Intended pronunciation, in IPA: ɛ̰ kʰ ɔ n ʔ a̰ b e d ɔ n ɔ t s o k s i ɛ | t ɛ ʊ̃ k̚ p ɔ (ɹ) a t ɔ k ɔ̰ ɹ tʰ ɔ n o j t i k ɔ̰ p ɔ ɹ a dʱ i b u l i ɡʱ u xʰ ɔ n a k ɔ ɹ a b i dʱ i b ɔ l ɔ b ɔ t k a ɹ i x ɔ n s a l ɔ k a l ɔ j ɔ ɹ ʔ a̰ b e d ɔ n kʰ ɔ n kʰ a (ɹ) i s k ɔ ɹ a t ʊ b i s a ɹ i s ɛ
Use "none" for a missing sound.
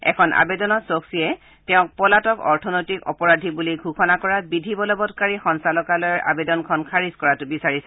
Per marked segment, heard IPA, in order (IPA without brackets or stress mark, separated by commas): l, ɹ